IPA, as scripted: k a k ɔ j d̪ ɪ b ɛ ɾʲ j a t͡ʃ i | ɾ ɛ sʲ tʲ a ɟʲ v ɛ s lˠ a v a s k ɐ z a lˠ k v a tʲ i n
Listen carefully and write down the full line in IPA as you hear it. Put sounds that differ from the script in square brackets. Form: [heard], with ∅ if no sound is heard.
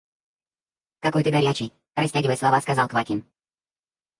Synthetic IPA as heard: k a k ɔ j [t̪] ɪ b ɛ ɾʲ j a t͡ʃ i | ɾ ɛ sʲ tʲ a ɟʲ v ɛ s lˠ a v a s k [a] z a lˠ k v a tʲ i n